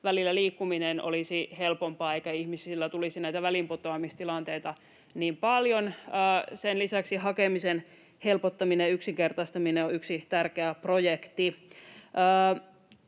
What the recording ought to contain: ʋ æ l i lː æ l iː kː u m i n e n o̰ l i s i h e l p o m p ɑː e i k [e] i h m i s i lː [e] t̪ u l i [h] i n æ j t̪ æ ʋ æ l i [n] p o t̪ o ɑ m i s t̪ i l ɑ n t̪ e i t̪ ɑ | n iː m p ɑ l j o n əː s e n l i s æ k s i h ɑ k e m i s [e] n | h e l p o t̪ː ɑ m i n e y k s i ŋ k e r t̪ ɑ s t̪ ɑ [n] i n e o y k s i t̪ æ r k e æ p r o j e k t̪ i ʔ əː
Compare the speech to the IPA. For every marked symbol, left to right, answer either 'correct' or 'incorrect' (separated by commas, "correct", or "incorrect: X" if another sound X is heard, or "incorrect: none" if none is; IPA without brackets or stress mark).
incorrect: æ, incorrect: æ, incorrect: s, incorrect: m, correct, incorrect: m